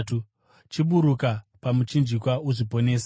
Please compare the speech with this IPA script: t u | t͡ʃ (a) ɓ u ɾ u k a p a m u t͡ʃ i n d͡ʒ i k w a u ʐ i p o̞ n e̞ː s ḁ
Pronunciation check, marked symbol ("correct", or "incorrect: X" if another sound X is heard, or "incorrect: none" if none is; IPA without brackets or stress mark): incorrect: i